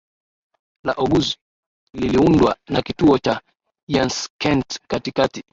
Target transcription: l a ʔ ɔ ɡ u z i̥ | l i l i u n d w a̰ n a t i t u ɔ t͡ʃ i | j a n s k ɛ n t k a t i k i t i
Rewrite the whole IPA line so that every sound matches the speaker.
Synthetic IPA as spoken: l a ʔ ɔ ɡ u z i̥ | l i l i u n d w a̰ n a k i t u ɔ t͡ʃ a | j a n s k ɛ n t k a t i k a t i

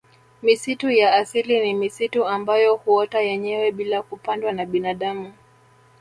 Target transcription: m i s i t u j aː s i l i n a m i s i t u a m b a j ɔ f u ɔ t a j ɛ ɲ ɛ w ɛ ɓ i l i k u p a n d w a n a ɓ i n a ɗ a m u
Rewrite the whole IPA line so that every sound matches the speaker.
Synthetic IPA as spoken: m i s i t u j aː s i l i n i m i s i t u a m b a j ɔ h u ɔ t a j ɛ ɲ ɛ w ɛ ɓ i l a k u p a n d w a n a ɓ i n a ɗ a m u

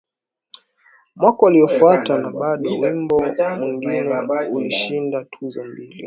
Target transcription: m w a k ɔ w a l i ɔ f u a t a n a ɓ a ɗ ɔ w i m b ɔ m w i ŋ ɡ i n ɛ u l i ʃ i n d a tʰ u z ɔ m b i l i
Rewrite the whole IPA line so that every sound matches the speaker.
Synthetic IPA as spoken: m w a k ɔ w a l i ɔ f u a t a n a ɓ a ɗ ɔ w i m b ɔ m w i ŋ ɡ i n ɛ u l i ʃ i n d a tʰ u z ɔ m b i l i

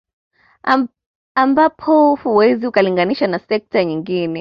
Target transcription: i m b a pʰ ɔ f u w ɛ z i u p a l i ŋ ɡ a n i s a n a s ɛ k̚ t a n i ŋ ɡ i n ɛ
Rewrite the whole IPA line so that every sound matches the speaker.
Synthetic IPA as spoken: a m b a pʰ ɔ h u w ɛ z i u k a l i ŋ ɡ a n i ʃ a n a s ɛ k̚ t a ɲ i ŋ ɡ i n ɛ

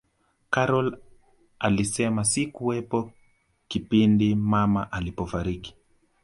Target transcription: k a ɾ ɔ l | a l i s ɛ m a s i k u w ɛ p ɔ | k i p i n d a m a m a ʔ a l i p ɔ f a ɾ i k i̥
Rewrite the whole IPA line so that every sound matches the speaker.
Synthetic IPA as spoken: k a ɾ ɔ l | a l i s ɛ m a s i k u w ɛ p ɔ | k i p i n d i m a m a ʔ a l i p ɔ f a ɾ i k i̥

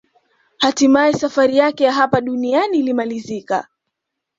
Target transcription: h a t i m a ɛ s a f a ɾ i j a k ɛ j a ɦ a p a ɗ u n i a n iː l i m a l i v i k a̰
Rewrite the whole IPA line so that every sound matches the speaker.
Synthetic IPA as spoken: h a t i m a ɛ s a f a ɾ i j a k ɛ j a ɦ a p a ɗ u n i a n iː l i m a l i z i k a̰

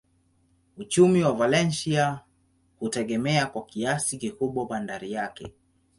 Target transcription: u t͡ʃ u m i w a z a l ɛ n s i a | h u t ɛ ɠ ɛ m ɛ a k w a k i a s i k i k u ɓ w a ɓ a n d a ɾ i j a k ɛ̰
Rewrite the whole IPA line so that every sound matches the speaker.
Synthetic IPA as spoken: u t͡ʃ u m i w a v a l ɛ n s i a | h u t ɛ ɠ ɛ m ɛ a k w a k i a s i k i k u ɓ w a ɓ a n d a ɾ i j a k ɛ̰

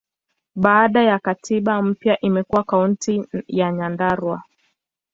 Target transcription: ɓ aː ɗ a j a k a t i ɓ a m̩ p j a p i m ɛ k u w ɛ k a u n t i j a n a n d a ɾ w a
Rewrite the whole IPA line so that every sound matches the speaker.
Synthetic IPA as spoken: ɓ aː ɗ a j a k a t i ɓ a m̩ p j a ʔ i m ɛ k u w a k a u n t i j a ɲ a n d a ɾ w a

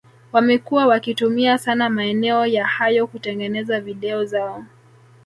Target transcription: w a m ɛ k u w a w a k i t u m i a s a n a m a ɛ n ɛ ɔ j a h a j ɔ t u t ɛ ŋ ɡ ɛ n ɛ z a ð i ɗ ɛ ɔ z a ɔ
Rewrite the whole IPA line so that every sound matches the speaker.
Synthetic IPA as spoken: w a m ɛ k u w a w a k i t u m i a s a n a m a ɛ n ɛ ɔ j a h a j ɔ k u t ɛ ŋ ɡ ɛ n ɛ z a v i ɗ ɛ ɔ z a ɔ

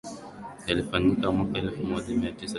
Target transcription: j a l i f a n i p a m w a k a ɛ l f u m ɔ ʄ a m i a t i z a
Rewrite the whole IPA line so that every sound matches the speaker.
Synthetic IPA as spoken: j a l i f a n i k a m w a k a ɛ l f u m ɔ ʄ a m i a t i s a

